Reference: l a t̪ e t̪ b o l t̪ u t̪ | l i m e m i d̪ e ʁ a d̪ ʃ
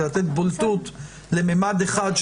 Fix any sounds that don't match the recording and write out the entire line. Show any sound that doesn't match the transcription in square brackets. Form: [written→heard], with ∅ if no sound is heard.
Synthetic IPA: l a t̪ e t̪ b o l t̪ u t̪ | l [i→e] m e m [i→a] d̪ e [ʁ→χ] a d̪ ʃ